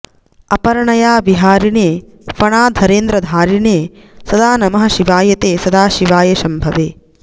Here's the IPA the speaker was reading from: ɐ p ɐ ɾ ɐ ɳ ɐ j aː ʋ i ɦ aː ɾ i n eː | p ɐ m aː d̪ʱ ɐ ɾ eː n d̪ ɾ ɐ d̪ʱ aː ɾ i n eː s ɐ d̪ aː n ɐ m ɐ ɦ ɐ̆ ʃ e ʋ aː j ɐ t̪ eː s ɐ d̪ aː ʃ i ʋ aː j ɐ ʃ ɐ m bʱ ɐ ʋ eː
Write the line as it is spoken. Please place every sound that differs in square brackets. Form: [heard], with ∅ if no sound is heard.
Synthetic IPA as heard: ɐ p ɐ ɾ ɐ ɳ ɐ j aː ʋ i ɦ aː ɾ i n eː | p ɐ [ɳ] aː d̪ʱ ɐ ɾ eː n d̪ ɾ ɐ d̪ʱ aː ɾ i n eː s ɐ d̪ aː n ɐ m ɐ ɦ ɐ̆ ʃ [i] ʋ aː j ɐ t̪ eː s ɐ d̪ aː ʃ i ʋ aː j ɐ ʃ ɐ m bʱ ɐ ʋ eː